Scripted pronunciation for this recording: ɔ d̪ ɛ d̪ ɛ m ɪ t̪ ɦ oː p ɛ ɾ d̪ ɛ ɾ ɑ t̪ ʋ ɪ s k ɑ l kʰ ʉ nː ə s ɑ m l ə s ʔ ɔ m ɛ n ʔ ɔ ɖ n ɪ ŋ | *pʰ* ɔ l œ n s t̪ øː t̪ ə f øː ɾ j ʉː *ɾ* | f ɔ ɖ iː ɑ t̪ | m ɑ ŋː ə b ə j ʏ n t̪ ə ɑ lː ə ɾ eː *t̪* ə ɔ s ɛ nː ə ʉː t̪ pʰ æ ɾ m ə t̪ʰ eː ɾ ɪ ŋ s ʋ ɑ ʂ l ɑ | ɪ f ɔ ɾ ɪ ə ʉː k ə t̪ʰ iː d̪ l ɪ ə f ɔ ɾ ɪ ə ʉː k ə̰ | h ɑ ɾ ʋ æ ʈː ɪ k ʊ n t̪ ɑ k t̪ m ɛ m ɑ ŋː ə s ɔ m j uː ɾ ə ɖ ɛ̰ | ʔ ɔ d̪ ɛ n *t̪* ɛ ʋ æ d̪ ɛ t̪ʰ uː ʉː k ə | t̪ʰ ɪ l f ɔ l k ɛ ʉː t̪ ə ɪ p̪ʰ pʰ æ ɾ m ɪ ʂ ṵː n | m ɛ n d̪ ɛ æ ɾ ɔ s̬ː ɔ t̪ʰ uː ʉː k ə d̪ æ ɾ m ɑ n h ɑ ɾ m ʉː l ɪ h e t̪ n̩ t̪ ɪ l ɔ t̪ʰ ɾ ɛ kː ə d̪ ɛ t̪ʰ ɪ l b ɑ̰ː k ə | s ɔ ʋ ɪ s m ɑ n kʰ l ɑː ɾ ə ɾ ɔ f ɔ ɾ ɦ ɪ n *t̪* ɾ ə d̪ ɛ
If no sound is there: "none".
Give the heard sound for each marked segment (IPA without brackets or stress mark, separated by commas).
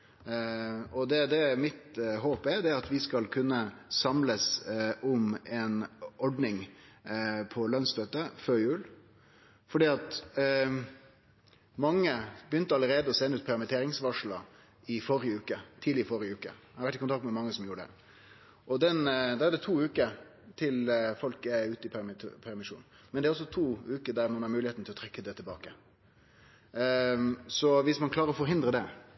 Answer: pʰ, l, d̪, d̪, d̪